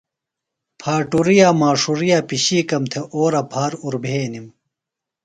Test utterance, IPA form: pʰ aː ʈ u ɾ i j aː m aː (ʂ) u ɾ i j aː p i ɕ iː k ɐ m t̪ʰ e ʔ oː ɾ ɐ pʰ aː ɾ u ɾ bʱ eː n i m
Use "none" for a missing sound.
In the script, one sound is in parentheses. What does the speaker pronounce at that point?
ʂ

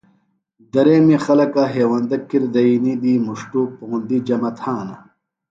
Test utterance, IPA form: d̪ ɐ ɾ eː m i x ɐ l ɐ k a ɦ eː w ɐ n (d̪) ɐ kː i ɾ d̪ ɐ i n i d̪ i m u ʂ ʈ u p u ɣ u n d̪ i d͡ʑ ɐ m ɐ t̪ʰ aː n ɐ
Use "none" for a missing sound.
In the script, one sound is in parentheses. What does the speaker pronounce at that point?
d̪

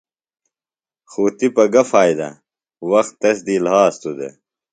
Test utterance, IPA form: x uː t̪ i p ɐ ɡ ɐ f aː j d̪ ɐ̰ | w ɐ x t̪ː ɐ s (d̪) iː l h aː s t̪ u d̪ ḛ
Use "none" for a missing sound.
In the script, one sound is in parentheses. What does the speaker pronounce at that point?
d̪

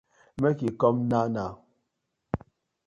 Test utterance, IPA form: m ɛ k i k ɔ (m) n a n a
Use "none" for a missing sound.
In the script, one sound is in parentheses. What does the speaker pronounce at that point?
m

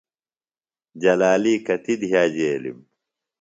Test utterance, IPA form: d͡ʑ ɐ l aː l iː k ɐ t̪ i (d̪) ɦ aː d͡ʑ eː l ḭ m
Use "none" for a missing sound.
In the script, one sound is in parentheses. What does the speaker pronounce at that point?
d̪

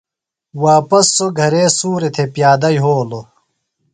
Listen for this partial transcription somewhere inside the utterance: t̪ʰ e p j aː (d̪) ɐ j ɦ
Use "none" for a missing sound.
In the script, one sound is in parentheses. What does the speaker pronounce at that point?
d̪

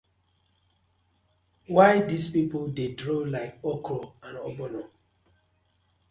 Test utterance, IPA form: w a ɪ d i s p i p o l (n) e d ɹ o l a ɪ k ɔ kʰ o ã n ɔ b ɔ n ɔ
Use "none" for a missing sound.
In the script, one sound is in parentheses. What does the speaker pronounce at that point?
d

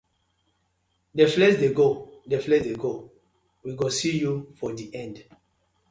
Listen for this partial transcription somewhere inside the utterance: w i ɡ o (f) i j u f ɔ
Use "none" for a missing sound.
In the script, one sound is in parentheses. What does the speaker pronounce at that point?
s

